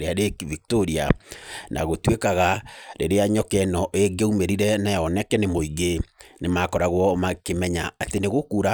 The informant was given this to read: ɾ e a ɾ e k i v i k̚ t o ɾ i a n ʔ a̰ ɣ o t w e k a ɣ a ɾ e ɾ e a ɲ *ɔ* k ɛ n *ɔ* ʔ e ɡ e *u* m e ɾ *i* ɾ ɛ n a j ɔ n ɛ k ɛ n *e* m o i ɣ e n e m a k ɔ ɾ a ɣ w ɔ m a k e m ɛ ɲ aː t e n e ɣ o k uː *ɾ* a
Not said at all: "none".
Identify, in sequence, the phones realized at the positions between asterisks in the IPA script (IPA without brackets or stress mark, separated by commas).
ɔ, ɔ, u, i, e, ɾ